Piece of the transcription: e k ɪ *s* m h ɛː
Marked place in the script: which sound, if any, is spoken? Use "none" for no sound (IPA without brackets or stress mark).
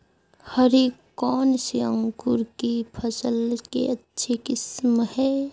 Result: s